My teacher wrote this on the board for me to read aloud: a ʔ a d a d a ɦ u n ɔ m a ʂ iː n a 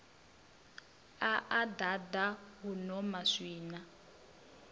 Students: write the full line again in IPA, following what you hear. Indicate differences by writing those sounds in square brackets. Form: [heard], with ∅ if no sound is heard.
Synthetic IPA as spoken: a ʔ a d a d a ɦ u n ɔ m a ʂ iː n a